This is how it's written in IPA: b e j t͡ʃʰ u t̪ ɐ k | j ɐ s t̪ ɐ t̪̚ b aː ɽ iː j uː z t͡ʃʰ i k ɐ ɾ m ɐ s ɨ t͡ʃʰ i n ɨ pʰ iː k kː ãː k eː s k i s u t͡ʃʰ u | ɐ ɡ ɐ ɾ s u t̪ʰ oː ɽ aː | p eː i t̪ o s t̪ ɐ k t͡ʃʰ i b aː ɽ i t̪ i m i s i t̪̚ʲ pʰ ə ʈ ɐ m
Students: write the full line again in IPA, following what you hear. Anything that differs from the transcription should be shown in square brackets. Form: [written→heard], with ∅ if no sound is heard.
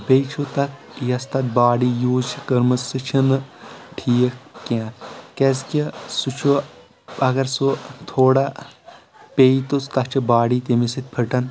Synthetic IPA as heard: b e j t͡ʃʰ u t̪ ɐ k | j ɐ s t̪ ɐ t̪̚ b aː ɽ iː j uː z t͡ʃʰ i k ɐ ɾ m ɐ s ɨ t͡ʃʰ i n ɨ [pʰ→ʈʰ] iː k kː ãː k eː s k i s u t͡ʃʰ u | ɐ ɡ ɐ ɾ s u t̪ʰ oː ɽ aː | p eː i t̪ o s t̪ ɐ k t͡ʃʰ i b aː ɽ i t̪ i m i s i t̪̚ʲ pʰ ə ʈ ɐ [m→n]

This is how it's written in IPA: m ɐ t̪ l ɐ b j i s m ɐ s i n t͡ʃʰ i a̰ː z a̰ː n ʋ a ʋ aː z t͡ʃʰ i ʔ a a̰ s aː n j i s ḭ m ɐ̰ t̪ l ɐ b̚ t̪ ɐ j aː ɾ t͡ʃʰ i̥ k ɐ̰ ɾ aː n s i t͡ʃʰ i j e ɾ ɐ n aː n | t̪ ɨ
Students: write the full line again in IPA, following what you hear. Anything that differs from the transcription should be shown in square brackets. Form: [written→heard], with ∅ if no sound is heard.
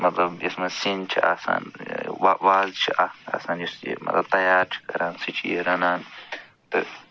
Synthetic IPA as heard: m ɐ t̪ l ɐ b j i s m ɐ s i n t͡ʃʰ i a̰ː [z→s] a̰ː n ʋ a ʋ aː z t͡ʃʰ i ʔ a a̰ s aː n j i s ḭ m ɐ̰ t̪ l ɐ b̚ t̪ ɐ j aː ɾ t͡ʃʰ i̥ k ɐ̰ ɾ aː n s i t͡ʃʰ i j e ɾ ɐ n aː n | t̪ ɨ

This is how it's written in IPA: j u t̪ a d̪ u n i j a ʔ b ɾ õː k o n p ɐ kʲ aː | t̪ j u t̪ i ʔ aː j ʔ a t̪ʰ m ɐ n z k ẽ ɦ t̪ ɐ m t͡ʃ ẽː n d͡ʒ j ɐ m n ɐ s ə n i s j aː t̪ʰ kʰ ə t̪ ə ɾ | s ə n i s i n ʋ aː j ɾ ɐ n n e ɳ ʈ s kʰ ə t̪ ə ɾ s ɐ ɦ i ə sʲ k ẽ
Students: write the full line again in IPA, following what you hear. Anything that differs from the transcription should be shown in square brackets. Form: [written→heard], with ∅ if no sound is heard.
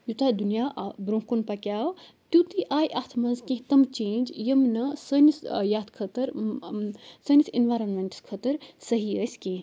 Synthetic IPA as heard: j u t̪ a d̪ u n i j a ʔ b ɾ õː k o n p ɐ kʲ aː | t̪ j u t̪ i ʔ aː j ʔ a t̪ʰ m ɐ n z k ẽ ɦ t̪ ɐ m t͡ʃ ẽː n d͡ʒ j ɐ m n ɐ s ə n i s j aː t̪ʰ kʰ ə t̪ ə ɾ | s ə n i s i n ʋ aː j ɾ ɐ n [n→m] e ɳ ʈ s kʰ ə t̪ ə ɾ s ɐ ɦ i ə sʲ k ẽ

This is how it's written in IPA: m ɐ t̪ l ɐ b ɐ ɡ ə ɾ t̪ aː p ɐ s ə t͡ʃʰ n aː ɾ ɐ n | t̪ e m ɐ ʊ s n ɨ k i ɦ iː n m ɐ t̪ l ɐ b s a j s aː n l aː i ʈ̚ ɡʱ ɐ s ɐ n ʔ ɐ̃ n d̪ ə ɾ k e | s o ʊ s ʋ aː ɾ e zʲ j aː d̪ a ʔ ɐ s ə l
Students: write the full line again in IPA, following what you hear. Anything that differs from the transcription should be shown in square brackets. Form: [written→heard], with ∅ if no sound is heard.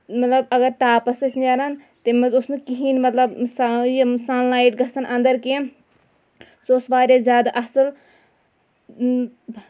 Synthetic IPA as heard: m ɐ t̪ l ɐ b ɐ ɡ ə ɾ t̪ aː p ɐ s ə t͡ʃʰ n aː ɾ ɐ n | t̪ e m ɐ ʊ s n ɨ k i ɦ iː n m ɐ t̪ l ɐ b s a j s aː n l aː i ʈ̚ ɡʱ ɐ s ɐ n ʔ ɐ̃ n d̪ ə ɾ k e | s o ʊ s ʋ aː ɾ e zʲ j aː d̪ a ʔ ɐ s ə l

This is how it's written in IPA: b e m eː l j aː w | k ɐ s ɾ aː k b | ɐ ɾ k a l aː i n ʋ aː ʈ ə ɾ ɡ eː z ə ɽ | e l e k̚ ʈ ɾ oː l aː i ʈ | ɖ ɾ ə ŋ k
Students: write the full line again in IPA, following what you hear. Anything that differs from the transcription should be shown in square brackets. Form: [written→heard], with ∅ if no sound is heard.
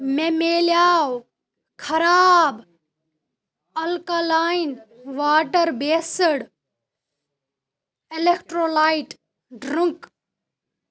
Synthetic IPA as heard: [b→m] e m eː l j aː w | [k→kʰ] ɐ [s→∅] ɾ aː [k→∅] b | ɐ [ɾ→l] k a l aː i n ʋ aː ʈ ə ɾ [ɡ→b] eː [z→s] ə ɽ | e l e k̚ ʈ ɾ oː l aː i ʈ | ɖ ɾ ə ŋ k

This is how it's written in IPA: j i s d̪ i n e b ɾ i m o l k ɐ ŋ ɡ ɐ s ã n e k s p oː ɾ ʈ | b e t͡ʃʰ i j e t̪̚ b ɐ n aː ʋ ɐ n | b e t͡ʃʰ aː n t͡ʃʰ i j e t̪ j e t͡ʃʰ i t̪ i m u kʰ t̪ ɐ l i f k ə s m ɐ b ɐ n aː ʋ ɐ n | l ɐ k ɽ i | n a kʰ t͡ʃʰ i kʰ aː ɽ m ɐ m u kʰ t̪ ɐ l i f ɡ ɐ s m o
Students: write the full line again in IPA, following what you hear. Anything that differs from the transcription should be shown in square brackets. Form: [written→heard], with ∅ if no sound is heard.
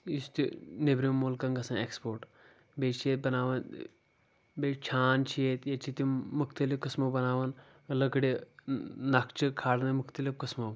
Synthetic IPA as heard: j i s [d̪→t̪] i n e b ɾ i m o l k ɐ ŋ ɡ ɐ s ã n e k s p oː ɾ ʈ | b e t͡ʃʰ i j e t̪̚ b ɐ n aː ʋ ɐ n | b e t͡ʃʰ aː n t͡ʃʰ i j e t̪ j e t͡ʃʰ i t̪ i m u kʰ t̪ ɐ l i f k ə s m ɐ b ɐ n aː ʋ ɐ n | l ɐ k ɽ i | n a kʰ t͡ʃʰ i kʰ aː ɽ [m→n] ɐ m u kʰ t̪ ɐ l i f [ɡ→k] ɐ s m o

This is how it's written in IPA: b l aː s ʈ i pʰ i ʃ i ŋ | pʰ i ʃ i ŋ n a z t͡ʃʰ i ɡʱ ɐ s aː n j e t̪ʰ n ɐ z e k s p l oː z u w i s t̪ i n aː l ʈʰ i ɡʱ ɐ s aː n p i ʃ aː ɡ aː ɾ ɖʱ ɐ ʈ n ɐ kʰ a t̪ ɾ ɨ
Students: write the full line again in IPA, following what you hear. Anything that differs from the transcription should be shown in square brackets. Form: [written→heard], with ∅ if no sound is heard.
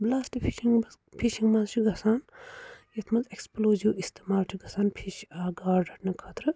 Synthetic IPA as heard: b l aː s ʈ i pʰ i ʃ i ŋ | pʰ i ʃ i ŋ [n→m] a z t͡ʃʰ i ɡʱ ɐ s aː n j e t̪ʰ [n→m] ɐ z e k s p l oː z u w i s t̪ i [n→m] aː l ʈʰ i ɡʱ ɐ s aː n [p→pʰ] i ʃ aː ɡ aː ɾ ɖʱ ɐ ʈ n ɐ kʰ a t̪ ɾ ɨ

